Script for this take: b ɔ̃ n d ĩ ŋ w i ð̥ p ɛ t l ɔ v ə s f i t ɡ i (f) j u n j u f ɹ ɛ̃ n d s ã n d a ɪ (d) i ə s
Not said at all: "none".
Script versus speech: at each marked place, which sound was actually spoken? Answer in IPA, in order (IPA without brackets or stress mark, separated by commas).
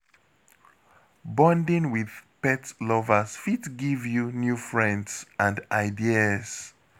v, d